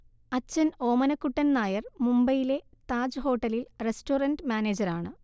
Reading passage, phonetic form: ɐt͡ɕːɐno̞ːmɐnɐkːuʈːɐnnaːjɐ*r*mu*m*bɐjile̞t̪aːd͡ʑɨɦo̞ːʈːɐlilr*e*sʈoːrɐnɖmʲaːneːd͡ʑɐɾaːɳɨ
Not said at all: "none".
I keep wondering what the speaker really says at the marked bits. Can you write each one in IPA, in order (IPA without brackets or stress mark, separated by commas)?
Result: r, m, e